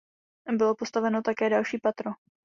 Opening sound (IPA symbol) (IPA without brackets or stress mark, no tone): b